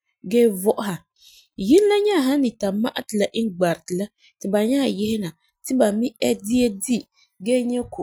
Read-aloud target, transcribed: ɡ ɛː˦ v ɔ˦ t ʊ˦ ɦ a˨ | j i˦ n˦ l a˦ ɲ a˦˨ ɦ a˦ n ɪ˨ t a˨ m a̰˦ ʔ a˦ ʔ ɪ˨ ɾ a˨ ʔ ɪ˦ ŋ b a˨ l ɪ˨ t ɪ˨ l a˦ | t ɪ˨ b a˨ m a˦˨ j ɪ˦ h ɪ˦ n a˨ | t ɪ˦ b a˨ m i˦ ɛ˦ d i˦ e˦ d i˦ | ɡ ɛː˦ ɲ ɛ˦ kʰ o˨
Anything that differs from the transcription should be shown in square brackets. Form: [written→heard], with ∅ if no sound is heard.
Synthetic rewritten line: ɡ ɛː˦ v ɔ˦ [t→ʔ] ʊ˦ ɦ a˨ | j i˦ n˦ l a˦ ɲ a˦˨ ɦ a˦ n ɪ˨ t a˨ m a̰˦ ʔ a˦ [ʔ→t] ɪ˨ [ɾ→l] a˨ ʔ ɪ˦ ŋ [b→ɡ͡b] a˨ [l→ɾ] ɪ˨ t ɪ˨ l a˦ | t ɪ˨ b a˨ [m→ɲ] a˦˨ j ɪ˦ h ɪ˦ n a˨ | t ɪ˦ b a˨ m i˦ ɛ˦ d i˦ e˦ d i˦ | ɡ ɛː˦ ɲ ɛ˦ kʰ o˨